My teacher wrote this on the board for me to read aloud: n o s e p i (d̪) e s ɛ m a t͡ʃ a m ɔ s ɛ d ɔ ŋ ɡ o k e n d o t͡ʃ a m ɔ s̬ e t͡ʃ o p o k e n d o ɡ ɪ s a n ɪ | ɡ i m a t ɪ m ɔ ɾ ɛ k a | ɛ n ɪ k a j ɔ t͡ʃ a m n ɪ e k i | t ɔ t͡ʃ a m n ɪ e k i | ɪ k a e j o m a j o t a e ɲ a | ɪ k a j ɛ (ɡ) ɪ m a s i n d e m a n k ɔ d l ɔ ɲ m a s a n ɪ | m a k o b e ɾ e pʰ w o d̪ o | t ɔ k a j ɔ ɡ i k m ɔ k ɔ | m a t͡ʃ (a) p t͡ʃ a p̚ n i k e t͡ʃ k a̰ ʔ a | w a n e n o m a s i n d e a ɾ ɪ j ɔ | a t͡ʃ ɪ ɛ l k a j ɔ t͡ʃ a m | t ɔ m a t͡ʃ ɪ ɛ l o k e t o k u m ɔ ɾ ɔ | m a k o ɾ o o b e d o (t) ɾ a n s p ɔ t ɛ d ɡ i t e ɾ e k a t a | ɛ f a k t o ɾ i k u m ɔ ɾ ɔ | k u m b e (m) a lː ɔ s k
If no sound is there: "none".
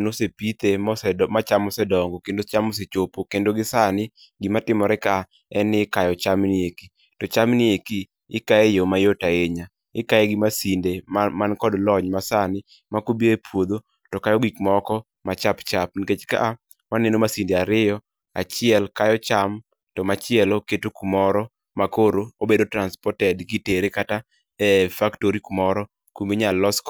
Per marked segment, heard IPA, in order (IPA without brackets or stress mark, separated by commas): t̪, ɡ, a, t, ɲ